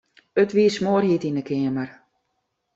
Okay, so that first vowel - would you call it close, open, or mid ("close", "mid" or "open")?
mid